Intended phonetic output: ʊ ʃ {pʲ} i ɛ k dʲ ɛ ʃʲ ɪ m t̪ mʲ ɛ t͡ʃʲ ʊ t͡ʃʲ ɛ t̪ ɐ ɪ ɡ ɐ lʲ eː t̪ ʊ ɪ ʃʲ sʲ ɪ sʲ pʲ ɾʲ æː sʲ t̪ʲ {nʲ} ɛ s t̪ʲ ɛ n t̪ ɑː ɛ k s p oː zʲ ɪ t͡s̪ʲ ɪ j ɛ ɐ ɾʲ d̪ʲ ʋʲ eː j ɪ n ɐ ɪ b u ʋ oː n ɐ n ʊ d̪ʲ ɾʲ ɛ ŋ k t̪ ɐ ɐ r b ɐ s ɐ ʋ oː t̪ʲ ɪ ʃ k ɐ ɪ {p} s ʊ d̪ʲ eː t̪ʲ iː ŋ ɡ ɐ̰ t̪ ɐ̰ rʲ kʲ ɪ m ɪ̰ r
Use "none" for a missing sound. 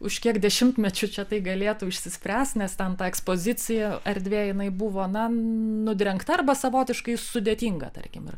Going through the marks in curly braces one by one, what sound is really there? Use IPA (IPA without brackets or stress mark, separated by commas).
kʲ, nʲ, none